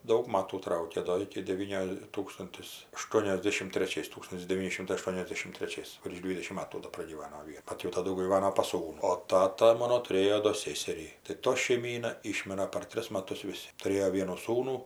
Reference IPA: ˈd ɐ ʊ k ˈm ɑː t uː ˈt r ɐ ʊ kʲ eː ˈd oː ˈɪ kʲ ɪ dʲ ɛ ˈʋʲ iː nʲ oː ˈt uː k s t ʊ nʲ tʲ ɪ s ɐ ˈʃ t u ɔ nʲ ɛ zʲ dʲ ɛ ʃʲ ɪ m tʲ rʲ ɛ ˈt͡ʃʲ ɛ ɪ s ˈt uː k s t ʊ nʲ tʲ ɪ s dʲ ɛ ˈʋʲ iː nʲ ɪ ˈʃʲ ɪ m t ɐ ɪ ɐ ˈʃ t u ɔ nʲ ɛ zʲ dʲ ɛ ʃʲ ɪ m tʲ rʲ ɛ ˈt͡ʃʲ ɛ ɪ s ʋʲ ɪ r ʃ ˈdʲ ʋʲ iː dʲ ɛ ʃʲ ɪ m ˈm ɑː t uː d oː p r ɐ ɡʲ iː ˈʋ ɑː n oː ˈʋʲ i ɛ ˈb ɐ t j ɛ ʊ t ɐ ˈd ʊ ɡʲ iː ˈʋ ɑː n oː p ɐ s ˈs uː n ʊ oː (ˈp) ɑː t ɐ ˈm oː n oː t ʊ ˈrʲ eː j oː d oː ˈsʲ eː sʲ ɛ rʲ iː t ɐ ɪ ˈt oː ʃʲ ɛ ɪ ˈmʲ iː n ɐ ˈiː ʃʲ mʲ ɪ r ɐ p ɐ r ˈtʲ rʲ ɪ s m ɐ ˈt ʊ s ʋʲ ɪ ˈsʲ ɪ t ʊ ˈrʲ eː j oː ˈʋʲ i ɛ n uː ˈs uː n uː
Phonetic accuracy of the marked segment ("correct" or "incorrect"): incorrect